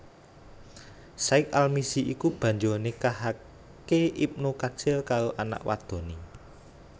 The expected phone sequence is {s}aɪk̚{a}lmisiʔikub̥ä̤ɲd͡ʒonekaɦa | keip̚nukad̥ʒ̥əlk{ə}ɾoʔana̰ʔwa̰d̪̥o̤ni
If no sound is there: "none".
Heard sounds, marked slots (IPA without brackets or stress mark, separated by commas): s, a, a